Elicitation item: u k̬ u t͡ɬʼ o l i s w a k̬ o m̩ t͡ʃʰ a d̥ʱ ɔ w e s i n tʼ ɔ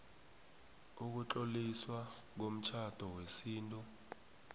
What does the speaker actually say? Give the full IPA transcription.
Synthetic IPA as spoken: u k̬ u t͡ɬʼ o l i s w a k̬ o m̩ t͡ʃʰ a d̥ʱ ɔ w e s iː n tʼ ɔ